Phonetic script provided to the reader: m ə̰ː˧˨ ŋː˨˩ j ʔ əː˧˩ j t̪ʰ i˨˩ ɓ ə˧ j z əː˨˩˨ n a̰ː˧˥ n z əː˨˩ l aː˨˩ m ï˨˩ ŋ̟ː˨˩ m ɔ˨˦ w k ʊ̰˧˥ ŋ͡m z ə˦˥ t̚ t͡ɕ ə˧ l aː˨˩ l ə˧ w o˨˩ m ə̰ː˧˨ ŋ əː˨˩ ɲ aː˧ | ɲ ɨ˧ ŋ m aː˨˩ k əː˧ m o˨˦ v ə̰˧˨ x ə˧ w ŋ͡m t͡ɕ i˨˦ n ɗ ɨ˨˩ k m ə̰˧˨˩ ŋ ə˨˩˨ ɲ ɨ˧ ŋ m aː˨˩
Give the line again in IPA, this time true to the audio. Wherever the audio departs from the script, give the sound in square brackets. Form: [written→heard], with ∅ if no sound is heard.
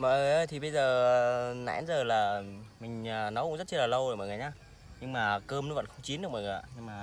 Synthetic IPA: m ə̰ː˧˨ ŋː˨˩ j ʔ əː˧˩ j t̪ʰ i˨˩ ɓ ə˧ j z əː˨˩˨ n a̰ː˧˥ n z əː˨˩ l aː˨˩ m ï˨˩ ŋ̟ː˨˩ [m→n] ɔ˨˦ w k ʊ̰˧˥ ŋ͡m z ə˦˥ t̚ t͡ɕ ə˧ l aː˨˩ l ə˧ w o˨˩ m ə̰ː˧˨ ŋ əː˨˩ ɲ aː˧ | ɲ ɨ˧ ŋ m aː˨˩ k əː˧ m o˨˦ v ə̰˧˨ x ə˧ w ŋ͡m t͡ɕ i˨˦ n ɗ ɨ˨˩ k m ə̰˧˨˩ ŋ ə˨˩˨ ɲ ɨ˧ ŋ m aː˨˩